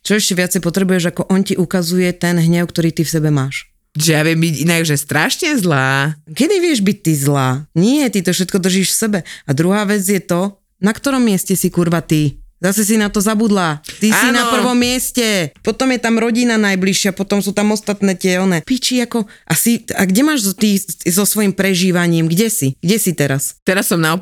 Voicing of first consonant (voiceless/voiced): voiceless